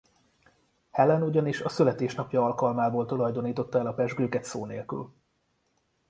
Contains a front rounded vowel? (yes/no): yes